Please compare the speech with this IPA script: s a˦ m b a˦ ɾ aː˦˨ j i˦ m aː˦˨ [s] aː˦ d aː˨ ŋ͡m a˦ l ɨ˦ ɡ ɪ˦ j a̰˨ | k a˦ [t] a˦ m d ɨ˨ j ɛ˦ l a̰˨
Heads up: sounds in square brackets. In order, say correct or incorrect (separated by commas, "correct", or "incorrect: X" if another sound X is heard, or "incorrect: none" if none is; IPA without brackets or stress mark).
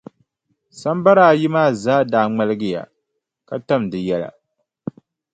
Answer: incorrect: z, correct